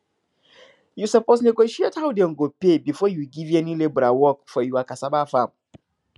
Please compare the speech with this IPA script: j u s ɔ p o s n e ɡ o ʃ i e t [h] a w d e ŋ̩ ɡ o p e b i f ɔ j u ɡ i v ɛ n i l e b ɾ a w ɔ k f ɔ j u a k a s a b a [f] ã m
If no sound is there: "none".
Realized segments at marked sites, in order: h, f

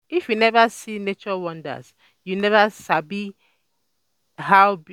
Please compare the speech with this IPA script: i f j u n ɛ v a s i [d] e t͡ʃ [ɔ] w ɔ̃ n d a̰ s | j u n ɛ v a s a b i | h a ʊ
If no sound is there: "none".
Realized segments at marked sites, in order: n, ɔ

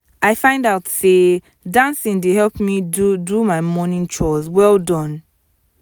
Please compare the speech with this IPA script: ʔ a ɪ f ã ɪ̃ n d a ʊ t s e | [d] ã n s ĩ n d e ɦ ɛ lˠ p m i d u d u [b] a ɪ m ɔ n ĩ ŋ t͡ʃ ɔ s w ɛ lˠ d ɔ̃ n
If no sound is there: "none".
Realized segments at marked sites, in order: d, m

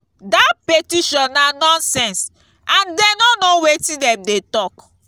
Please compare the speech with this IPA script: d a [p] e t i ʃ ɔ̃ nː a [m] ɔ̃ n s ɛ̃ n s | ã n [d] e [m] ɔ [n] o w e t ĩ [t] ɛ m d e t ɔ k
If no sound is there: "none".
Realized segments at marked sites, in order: p, n, d, n, n, d

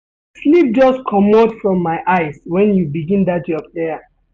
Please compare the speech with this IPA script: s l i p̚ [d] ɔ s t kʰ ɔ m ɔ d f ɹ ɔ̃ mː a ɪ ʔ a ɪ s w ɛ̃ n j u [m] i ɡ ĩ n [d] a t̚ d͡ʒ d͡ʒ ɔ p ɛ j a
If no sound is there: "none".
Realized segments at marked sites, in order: d͡ʒ, b, d

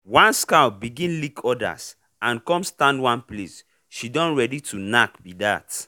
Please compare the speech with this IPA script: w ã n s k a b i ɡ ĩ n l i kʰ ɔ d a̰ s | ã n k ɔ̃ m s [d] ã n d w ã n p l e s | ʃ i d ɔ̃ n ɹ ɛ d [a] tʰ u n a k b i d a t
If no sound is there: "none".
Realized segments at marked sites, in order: t, i

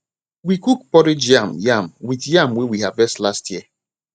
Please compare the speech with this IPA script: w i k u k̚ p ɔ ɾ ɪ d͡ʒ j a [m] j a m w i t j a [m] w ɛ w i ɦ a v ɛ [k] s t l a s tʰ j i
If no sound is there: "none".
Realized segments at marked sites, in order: m, m, none

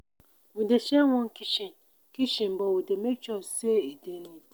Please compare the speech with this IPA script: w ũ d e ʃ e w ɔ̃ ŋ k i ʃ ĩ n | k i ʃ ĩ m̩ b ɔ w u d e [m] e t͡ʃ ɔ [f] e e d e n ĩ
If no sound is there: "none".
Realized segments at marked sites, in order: m, s

